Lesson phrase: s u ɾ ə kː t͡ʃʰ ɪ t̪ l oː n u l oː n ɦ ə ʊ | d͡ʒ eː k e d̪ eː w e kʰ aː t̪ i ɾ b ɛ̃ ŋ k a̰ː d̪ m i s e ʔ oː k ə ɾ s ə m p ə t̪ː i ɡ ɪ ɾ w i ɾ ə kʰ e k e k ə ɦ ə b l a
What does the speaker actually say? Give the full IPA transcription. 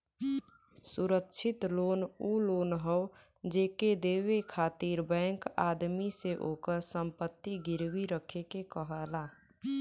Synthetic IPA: s u ɾ ə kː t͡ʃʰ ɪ t̪ l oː n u l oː n ɦ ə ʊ | d͡ʒ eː k e d̪ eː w e kʰ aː t̪ i ɾ b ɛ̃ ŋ k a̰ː d̪ m i s e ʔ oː k ə ɾ s ə m p ə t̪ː i ɡ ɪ ɾ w i ɾ ə kʰ e k e k ə ɦ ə l a